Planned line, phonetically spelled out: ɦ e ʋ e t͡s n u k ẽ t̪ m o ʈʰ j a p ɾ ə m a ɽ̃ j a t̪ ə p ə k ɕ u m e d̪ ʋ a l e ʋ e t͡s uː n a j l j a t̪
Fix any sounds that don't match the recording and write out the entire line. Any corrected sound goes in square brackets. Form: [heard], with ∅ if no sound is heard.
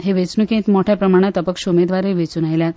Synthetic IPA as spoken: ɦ e ʋ e t͡s n u k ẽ t̪ m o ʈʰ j a p ɾ ə m a ɽ̃ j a t̪ ə p ə k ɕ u m e d̪ ʋ a [ɾ] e ʋ e t͡s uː n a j l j a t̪